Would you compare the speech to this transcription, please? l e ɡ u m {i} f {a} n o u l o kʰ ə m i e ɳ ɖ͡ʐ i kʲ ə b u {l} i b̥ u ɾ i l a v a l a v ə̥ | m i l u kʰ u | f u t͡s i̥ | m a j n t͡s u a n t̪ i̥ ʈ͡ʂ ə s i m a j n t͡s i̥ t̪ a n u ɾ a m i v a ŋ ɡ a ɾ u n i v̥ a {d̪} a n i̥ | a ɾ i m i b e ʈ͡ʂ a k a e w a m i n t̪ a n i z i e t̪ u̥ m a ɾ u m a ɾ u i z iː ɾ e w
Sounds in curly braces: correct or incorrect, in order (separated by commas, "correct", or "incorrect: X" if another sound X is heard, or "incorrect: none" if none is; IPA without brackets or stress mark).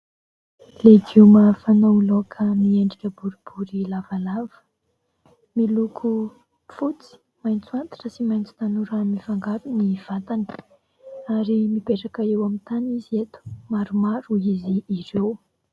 incorrect: a, correct, incorrect: ɾ, incorrect: t̪